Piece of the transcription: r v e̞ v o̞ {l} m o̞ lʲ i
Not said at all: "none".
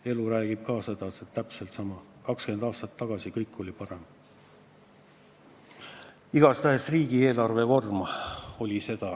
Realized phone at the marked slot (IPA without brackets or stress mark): r